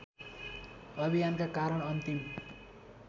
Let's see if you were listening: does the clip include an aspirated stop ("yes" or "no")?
no